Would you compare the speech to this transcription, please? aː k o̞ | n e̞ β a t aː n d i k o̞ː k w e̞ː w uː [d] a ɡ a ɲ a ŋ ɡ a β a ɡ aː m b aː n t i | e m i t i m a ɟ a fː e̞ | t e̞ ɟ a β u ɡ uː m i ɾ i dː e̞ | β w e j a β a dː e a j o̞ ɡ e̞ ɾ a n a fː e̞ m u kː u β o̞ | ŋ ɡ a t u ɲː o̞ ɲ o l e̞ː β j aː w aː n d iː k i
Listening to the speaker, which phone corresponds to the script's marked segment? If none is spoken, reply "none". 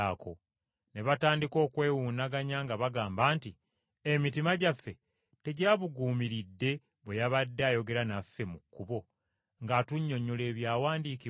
n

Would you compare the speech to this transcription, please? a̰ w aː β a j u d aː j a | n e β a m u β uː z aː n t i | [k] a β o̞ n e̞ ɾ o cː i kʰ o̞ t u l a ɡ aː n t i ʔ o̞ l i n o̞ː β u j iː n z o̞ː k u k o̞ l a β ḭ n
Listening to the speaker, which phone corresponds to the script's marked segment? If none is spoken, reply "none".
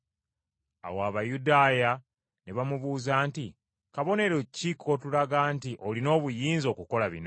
k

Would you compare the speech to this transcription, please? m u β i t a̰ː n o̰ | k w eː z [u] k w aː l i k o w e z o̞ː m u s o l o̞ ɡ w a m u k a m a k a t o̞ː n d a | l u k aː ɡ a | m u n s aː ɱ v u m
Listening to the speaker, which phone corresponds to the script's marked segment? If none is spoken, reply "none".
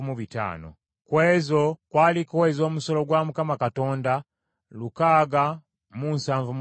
o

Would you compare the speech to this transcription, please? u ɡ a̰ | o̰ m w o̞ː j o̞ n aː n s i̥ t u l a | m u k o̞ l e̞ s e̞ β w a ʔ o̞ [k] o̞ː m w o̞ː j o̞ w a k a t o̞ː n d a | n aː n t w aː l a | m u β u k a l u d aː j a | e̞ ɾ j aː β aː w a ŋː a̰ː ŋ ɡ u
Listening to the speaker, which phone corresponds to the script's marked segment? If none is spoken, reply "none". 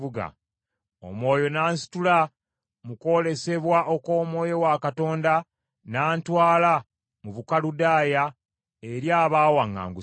k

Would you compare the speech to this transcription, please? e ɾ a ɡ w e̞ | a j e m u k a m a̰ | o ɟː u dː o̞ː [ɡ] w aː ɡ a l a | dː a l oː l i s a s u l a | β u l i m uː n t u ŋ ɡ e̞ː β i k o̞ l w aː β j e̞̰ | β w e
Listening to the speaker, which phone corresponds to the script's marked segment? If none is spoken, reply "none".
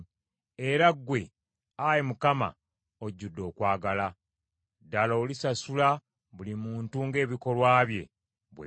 k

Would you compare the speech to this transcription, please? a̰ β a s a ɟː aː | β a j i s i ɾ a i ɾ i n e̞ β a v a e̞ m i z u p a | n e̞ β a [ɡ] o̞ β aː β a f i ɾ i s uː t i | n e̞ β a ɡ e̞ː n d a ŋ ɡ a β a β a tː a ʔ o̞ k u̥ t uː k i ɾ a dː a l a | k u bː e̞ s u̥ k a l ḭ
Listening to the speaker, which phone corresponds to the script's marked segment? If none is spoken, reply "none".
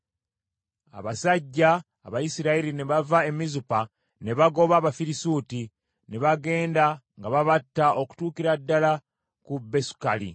ɡ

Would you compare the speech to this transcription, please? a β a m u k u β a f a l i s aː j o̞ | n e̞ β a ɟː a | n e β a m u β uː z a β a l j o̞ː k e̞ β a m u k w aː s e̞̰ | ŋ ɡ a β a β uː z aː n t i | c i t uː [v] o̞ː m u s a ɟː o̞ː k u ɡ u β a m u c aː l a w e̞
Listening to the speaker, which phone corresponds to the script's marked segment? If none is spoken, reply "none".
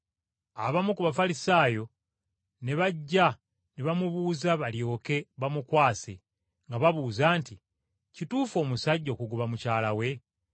f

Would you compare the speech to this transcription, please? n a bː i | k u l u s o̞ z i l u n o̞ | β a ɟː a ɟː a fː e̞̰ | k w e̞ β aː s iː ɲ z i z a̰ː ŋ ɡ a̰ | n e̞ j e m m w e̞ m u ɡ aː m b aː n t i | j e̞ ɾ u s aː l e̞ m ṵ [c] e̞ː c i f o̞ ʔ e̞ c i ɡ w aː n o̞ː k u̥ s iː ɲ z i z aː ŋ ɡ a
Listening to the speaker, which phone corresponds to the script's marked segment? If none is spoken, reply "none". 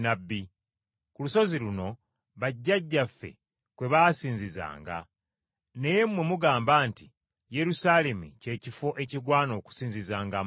c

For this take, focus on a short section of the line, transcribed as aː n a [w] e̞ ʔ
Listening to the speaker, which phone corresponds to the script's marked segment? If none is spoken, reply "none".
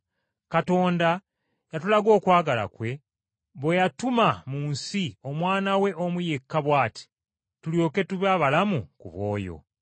w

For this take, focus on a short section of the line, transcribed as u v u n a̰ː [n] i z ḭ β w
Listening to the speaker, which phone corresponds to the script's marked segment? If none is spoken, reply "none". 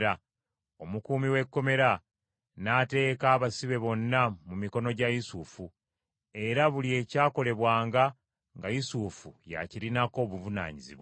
ɲ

